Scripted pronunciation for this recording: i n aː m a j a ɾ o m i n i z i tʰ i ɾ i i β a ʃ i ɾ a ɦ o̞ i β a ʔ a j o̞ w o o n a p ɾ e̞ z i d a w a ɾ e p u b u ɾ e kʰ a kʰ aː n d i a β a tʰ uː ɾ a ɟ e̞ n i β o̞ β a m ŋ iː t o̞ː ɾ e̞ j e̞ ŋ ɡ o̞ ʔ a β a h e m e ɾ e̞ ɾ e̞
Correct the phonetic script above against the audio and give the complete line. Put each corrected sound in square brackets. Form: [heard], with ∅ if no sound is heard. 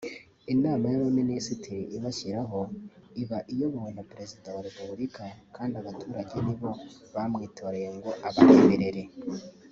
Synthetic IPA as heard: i n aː m a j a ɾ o m i n i [s] i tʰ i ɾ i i β a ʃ i ɾ a ɦ o̞ i β a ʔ [i] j o̞ [β] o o n a p ɾ e̞ z i d a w a ɾ e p u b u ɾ [i] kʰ a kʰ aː n d i a β a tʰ uː ɾ a ɟ e̞ n i β o̞ β a m ŋ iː t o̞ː ɾ e̞ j e̞ ŋ ɡ o̞ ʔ a β a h e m e ɾ e̞ ɾ e̞